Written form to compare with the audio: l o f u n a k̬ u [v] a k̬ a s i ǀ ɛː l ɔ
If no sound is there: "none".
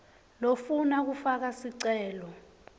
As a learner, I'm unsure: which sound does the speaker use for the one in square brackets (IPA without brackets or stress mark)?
f